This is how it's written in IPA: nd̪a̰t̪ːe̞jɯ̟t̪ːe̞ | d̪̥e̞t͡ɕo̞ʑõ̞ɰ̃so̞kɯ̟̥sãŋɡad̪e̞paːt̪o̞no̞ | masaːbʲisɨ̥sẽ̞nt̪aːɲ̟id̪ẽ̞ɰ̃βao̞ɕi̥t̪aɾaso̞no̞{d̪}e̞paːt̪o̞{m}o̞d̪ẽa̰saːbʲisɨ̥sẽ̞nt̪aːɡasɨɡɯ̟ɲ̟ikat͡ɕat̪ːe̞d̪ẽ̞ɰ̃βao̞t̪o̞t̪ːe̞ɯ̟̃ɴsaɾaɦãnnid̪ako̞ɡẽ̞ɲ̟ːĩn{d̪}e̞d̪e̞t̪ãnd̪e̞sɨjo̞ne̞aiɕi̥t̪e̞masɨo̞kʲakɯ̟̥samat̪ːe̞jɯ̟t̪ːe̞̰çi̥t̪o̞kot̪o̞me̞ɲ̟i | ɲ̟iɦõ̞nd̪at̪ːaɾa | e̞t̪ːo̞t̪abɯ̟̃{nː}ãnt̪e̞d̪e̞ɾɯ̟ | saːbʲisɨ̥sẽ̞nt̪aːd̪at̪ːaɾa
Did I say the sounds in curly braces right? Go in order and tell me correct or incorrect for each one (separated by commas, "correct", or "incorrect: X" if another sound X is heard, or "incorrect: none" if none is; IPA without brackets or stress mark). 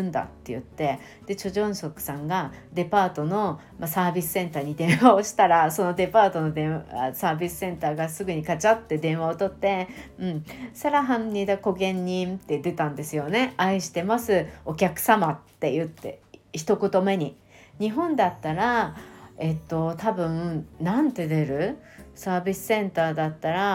correct, incorrect: n, incorrect: t̪, incorrect: n